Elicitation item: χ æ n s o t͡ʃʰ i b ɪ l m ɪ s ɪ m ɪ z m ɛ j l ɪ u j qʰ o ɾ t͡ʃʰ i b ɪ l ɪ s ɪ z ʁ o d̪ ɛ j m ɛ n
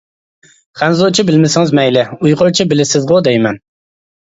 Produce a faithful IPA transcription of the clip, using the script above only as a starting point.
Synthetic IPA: χ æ n z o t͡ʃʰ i b ɪ l m ɪ s ɪ ŋ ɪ z m ɛ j l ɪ u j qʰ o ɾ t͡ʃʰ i b ɪ l ɪ s ɪ z ʁ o d̪ ɛ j m ɛ n